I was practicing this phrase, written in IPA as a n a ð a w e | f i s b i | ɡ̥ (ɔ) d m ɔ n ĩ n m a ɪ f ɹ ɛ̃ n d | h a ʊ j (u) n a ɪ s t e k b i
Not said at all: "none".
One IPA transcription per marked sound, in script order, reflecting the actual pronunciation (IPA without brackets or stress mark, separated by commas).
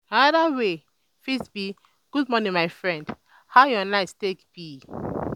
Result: u, ɔ